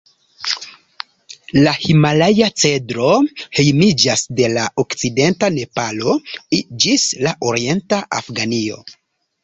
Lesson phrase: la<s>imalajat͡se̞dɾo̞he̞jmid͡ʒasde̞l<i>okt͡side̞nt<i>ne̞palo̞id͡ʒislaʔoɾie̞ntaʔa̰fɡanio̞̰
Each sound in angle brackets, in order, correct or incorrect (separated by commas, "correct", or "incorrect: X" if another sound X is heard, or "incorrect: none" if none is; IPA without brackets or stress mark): incorrect: h, incorrect: a, incorrect: a